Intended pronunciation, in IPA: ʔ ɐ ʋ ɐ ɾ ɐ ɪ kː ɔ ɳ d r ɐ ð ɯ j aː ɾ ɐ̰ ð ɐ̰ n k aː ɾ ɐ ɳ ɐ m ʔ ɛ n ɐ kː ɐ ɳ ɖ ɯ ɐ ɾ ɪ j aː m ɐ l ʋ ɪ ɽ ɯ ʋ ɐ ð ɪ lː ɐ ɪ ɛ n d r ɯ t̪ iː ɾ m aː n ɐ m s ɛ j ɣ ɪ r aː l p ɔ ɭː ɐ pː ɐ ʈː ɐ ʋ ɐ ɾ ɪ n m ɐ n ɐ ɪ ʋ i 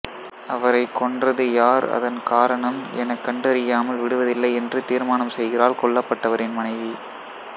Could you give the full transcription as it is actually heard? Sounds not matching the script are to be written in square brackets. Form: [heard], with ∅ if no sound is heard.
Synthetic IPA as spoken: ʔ ɐ ʋ ɐ ɾ ɐ ɪ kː ɔ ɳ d r ɐ ð ɯ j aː ɾ ɐ̰ ð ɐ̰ n k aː ɾ ɐ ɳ ɐ m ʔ ɛ n ɐ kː ɐ ɳ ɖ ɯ ɐ ɾ ɪ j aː m ɐ l ʋ ɪ ɽ ɯ ʋ ɐ ð ɪ lː ɐ ɪ ɛ n d r ɯ t̪ iː ɾ m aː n ɐ m s ɛ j ɣ ɪ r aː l [k] ɔ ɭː ɐ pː ɐ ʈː ɐ ʋ ɐ ɾ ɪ n m ɐ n ɐ ɪ ʋ i